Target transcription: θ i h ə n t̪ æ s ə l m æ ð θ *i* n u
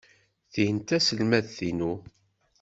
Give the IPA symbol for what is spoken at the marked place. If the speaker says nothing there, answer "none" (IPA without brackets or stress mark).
i